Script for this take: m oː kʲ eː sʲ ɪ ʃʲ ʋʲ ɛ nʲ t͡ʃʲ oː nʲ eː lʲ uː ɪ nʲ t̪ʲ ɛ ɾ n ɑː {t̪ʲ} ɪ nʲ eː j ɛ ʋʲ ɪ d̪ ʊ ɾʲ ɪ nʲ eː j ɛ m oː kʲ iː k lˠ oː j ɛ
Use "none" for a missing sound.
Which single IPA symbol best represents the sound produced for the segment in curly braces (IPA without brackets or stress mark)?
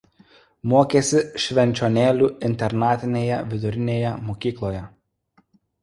t̪ʲ